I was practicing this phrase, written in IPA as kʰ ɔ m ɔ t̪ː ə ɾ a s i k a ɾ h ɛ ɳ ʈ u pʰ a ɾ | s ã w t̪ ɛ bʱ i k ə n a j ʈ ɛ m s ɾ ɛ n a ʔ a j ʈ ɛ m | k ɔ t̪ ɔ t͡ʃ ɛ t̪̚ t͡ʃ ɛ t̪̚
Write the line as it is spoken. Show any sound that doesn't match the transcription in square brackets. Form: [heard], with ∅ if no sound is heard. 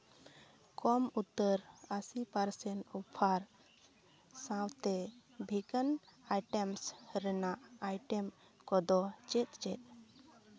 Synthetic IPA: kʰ ɔ m [u] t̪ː ə ɾ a s i [p] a ɾ [s] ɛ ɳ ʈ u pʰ a ɾ | s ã w t̪ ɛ bʱ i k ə n a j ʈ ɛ m s ɾ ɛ n a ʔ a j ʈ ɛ m | k ɔ [d̪] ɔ t͡ʃ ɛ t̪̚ t͡ʃ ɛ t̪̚